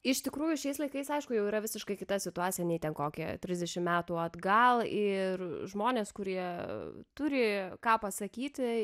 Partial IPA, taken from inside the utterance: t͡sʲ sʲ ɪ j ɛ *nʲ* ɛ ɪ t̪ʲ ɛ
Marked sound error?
no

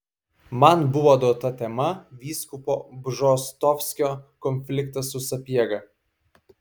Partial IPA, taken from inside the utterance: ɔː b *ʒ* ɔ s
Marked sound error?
no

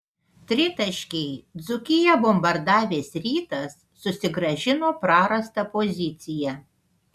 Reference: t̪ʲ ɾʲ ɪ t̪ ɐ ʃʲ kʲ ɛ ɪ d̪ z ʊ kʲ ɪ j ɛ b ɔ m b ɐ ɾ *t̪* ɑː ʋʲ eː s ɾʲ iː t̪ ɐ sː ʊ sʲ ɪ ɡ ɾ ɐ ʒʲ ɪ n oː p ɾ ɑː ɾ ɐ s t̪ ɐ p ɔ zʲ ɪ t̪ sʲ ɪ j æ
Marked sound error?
yes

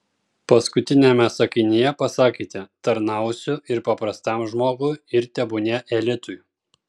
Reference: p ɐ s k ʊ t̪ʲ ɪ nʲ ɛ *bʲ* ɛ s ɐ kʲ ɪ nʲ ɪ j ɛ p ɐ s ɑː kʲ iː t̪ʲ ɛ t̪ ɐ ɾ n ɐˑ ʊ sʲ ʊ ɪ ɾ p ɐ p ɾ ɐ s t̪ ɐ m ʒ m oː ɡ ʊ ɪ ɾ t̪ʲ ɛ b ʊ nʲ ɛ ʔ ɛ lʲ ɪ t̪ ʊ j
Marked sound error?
yes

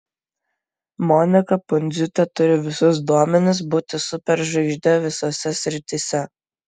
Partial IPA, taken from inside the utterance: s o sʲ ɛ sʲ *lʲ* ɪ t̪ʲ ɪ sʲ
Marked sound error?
yes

